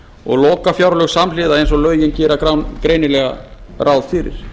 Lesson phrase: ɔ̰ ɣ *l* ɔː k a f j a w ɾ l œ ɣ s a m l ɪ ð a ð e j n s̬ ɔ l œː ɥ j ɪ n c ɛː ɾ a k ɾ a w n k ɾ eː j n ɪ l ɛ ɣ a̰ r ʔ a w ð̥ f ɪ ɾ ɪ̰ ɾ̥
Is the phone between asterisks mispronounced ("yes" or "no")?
no